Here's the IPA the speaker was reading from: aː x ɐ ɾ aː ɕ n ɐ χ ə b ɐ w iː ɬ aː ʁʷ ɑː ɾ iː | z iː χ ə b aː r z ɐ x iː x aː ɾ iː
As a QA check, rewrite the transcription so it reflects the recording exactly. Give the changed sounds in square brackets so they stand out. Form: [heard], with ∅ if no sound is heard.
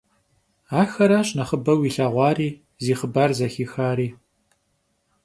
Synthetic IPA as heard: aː x ɐ ɾ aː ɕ n ɐ χ ə b ɐ w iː ɬ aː ʁʷ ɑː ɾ iː | z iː χ ə b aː r z ɐ x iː x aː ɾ iː